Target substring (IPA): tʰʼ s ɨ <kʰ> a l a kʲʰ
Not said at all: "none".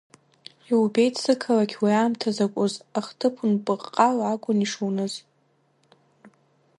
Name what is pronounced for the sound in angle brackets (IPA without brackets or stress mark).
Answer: kʰ